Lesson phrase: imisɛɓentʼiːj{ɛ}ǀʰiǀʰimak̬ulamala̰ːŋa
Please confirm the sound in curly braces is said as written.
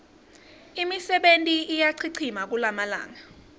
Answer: no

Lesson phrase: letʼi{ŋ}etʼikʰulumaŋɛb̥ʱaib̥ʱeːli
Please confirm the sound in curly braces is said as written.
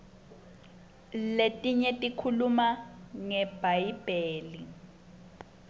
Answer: no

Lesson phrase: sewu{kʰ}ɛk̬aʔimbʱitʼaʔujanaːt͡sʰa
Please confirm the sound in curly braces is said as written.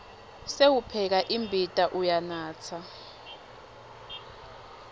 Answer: no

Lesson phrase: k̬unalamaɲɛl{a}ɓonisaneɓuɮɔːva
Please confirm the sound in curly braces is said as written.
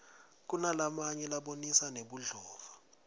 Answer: yes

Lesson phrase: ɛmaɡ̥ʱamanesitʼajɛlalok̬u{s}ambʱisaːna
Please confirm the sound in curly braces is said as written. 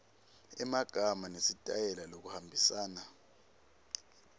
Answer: no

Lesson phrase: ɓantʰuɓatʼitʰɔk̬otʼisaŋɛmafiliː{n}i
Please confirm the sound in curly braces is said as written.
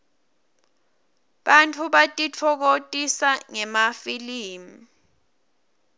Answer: no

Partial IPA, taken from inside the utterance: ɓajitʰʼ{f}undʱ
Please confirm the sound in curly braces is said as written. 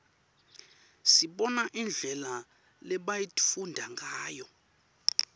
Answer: yes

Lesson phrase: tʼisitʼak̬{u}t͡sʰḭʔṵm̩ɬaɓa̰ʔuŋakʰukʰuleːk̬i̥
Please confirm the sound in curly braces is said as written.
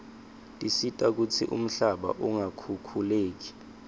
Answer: yes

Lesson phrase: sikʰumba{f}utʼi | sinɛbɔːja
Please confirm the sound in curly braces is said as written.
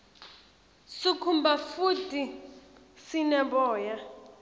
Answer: yes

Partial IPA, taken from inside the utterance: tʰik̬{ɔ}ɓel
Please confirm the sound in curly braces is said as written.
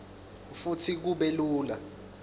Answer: no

